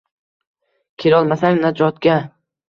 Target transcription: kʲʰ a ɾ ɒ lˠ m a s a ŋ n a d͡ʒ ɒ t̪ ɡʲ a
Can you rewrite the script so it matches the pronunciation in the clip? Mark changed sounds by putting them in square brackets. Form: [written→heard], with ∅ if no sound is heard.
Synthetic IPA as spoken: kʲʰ [a→e] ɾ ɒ lˠ m a s a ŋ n a d͡ʒ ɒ t̪ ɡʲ a